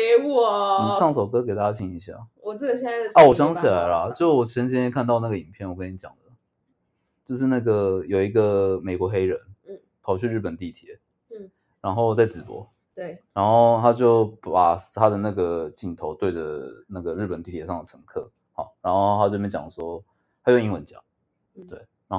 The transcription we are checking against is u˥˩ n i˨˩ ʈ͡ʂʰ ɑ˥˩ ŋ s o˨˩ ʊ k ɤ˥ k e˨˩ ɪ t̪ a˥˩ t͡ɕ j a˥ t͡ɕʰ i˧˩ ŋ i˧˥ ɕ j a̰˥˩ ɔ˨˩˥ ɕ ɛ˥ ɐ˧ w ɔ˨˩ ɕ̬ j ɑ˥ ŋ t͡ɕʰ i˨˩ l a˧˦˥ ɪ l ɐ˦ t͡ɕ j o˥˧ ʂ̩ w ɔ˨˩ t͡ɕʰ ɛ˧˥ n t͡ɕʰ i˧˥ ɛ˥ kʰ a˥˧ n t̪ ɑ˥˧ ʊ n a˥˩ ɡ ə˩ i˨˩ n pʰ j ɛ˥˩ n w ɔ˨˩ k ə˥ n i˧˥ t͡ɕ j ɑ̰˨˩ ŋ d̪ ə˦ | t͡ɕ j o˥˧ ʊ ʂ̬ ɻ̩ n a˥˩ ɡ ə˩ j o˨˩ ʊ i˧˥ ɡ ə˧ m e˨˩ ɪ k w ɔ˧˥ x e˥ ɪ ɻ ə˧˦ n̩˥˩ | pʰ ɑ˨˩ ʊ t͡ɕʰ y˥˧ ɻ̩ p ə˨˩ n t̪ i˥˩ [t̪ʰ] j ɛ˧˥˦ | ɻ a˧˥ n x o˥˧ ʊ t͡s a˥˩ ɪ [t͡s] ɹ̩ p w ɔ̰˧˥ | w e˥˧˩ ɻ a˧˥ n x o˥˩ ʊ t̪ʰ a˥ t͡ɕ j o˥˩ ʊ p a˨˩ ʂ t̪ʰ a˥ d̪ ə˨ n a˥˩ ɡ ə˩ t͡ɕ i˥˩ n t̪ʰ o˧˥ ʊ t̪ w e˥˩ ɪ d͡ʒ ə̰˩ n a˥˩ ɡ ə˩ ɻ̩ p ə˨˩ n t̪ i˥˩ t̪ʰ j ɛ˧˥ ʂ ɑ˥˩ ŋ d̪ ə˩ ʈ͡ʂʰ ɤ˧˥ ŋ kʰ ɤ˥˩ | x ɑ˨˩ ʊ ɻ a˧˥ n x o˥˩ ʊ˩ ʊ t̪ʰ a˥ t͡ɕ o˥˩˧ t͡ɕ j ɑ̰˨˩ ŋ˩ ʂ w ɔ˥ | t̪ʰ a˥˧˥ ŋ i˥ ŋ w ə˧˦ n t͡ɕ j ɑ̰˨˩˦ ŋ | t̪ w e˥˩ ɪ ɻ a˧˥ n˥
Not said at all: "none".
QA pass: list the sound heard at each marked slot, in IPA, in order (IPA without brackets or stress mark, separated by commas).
t̪ʰ, t͡s